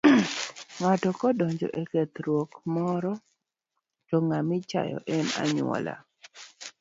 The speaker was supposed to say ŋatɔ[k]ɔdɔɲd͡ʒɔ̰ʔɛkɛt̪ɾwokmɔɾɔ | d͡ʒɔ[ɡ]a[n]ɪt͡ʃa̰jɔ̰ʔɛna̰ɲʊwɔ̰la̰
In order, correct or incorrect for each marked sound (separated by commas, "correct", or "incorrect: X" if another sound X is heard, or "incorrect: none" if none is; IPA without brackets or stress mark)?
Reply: correct, incorrect: ŋ, incorrect: m